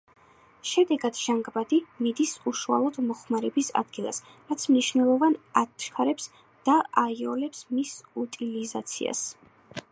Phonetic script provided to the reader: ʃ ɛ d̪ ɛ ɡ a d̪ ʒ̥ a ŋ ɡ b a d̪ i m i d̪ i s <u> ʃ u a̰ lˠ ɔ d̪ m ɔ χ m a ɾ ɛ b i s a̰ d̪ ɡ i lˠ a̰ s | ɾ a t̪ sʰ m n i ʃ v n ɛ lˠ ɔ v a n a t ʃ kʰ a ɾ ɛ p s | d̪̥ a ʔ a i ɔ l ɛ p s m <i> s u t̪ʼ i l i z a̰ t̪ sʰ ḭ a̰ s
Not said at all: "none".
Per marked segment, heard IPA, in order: u, i

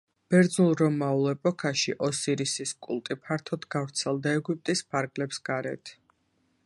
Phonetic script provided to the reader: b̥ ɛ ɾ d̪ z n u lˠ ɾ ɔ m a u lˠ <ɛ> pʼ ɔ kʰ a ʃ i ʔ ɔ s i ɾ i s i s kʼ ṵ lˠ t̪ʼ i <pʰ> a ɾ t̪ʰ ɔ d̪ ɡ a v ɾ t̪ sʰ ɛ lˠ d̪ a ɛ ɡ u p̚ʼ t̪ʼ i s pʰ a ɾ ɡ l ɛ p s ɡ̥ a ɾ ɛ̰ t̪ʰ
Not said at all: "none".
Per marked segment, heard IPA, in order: ɛ, pʰ

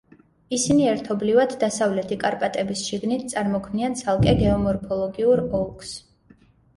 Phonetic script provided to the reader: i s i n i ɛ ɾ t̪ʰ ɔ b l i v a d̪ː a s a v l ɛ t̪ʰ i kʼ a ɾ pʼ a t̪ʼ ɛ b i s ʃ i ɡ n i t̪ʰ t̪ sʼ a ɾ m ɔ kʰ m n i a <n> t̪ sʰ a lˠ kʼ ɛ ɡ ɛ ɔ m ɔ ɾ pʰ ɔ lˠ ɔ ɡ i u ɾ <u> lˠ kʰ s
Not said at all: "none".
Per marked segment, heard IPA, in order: n, ɔ

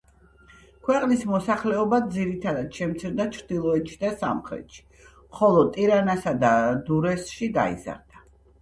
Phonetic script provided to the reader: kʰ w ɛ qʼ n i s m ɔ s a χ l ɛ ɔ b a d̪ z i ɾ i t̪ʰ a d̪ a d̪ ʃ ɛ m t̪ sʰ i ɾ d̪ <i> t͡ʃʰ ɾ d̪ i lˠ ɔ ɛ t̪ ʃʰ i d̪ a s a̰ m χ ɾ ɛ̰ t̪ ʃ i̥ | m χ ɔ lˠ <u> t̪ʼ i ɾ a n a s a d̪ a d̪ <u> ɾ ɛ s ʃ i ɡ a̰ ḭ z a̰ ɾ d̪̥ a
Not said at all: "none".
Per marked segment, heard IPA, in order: a, ɔ, u

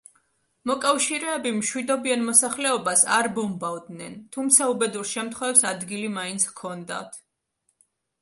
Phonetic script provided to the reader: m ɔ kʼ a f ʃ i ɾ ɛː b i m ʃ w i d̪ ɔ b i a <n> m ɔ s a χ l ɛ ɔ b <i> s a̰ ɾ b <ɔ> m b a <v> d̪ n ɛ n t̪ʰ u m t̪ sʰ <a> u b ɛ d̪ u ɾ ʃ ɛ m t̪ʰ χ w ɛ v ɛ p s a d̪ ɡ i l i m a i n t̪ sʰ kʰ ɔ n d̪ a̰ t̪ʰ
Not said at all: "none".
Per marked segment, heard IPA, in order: n, a, ɔ, v, a

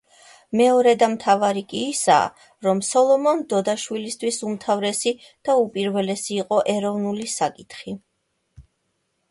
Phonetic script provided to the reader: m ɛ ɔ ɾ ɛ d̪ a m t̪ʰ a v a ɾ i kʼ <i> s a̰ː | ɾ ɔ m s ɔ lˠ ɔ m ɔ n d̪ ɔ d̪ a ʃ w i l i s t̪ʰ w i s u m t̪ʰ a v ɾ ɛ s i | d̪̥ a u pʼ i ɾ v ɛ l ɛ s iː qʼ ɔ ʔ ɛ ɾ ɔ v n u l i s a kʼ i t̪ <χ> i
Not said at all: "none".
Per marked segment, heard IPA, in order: iː, χ

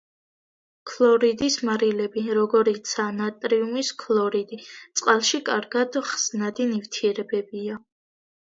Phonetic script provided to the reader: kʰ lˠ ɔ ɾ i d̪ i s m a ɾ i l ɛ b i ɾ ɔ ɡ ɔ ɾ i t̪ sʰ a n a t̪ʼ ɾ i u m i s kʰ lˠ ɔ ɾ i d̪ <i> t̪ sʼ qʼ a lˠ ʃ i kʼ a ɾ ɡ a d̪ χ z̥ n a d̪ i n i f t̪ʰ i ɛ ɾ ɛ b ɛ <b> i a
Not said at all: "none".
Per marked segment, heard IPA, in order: i, b

